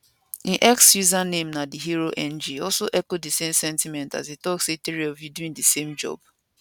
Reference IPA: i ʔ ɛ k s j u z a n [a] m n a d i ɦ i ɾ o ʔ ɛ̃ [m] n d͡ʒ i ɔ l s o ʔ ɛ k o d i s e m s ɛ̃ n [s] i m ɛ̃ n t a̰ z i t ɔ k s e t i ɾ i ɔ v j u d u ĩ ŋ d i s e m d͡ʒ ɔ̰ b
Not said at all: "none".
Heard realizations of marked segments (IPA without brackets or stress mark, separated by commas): e, none, t